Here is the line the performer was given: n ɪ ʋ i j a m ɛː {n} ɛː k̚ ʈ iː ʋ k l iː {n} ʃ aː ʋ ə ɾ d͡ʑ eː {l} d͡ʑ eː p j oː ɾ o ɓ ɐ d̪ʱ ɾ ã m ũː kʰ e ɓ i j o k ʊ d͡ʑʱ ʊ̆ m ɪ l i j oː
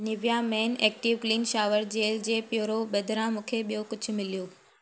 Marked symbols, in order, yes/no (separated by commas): yes, yes, yes